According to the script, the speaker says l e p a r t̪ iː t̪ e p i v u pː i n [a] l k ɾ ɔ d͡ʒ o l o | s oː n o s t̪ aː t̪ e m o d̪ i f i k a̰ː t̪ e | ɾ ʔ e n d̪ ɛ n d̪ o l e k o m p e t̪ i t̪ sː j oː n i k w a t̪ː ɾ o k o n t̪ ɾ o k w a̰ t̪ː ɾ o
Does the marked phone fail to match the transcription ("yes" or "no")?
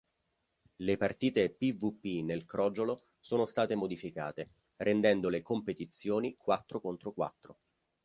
yes